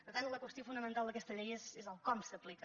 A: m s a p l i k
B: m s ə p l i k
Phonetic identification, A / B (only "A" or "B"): B